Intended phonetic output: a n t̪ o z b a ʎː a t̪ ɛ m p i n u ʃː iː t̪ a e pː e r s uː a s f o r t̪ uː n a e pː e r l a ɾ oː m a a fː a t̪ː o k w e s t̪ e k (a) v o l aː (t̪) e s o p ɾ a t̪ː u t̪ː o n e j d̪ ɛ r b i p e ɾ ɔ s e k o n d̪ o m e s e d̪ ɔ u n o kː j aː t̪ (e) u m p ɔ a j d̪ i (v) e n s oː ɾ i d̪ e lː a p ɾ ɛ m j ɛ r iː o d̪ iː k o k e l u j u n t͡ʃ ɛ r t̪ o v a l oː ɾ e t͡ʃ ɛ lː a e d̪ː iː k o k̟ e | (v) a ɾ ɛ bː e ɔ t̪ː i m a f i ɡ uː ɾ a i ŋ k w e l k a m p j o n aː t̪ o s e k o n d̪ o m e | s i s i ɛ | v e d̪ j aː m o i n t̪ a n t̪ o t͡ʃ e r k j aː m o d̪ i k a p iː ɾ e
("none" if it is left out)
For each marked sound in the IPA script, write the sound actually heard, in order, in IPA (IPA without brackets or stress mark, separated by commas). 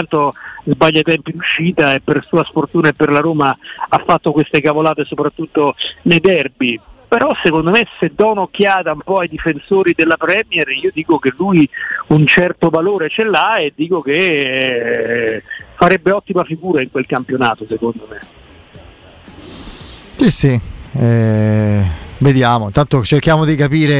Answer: a, t̪, a, f, f